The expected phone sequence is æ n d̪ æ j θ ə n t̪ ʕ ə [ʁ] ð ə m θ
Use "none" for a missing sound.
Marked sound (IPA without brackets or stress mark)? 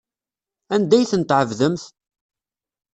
v